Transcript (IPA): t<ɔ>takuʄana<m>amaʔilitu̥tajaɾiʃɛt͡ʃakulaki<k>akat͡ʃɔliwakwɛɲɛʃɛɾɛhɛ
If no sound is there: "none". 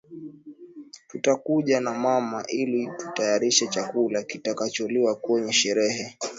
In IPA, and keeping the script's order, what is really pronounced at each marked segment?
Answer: u, m, t

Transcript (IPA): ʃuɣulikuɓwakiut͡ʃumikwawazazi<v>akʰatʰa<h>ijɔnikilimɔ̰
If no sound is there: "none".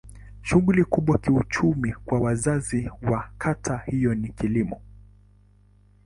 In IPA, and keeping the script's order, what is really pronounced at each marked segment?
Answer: w, h

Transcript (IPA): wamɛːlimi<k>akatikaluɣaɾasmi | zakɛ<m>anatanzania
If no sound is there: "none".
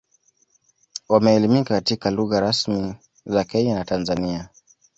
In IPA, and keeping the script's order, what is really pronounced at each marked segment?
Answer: k, ɲ

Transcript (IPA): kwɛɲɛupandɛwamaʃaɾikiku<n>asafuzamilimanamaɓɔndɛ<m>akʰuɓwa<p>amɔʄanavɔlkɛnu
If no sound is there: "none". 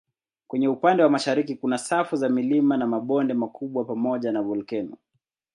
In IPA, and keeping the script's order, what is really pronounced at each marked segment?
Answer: n, m, p

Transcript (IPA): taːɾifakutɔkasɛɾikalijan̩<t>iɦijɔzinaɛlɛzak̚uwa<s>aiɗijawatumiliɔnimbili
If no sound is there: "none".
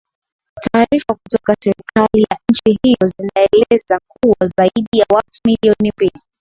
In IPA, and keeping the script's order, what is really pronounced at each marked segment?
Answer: t͡ʃ, z

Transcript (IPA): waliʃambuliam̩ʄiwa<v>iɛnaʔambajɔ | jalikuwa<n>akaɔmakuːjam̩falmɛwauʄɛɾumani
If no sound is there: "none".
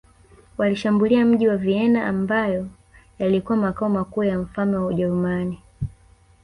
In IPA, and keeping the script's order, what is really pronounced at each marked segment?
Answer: v, m

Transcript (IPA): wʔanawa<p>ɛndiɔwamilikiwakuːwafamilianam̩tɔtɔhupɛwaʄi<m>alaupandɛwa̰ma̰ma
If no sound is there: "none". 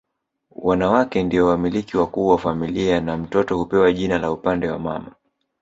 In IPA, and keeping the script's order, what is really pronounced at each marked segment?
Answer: k, n

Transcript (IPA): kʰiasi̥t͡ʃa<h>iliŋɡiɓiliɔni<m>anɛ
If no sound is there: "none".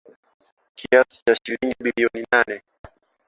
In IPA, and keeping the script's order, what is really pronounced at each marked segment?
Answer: ʃ, n

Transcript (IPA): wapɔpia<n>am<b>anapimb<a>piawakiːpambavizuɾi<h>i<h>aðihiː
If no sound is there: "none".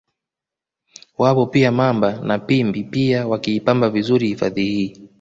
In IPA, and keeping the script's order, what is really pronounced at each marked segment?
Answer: m, b, i, h, f

